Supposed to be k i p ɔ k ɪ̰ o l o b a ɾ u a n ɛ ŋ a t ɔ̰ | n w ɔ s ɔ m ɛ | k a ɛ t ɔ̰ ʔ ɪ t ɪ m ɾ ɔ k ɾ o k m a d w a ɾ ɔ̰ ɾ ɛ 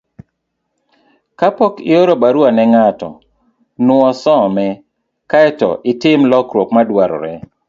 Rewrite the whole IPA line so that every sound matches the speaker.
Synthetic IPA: k a p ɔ k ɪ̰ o ɾ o b a ɾ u a n ɛ ŋ a t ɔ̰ | n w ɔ s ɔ m ɛ | k a ɛ t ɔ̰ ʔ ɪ t ɪ m l ɔ k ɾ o k m a d w a ɾ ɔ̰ ɾ ɛ